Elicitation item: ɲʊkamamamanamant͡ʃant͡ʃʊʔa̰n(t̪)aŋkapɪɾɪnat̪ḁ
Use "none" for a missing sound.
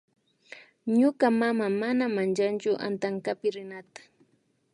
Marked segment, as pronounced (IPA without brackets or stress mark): t̪